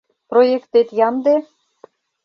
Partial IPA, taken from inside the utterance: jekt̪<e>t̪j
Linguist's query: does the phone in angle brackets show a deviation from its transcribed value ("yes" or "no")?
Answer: no